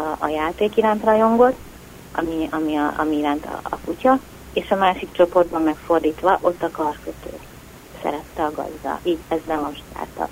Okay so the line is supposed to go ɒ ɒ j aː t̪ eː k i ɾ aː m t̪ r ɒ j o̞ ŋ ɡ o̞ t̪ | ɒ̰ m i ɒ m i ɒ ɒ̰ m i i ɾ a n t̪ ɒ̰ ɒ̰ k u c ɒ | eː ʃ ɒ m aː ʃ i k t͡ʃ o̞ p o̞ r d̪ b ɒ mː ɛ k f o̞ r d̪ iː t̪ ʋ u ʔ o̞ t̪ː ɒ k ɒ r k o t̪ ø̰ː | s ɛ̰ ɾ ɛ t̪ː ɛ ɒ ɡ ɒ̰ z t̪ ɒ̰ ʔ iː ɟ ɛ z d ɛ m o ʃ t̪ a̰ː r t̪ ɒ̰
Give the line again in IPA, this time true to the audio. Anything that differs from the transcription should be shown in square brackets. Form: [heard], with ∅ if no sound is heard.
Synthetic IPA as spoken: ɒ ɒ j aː t̪ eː k i ɾ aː [n] t̪ r ɒ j o̞ ŋ ɡ o̞ t̪ | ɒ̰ m i ɒ m i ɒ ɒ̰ m i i ɾ a n t̪ ɒ̰ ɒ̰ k u c ɒ | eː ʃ ɒ m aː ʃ i k t͡ʃ o̞ p o̞ r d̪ b ɒ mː ɛ k f o̞ r d̪ iː t̪ ʋ [ɒ] ʔ o̞ t̪ː ɒ k ɒ r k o t̪ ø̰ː | s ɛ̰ ɾ ɛ t̪ː ɛ ɒ ɡ ɒ̰ z [d̪] ɒ̰ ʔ iː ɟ ɛ z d ɛ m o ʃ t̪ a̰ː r t̪ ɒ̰